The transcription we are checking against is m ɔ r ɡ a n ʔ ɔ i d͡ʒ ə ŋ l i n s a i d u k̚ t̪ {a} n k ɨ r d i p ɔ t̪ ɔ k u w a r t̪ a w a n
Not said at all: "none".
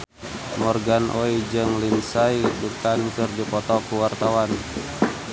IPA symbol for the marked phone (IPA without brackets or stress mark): a